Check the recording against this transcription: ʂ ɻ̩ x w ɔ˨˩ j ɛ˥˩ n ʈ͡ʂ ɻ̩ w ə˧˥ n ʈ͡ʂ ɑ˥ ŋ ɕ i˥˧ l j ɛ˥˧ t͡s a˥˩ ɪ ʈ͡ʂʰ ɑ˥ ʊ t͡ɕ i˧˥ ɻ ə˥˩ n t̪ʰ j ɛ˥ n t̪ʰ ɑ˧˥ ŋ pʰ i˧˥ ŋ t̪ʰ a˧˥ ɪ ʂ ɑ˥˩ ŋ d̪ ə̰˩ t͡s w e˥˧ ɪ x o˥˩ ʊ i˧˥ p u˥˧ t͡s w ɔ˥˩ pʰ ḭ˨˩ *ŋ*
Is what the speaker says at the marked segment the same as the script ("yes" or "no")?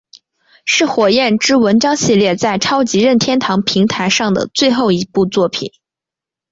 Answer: no